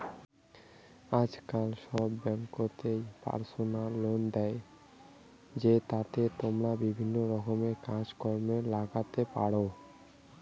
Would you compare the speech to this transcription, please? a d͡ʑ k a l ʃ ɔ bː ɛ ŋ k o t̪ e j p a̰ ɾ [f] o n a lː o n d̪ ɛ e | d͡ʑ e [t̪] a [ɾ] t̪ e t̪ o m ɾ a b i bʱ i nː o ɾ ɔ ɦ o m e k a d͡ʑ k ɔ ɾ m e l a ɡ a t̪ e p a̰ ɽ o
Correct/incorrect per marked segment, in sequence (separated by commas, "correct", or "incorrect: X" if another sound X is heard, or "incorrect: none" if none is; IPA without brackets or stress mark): incorrect: s, correct, incorrect: none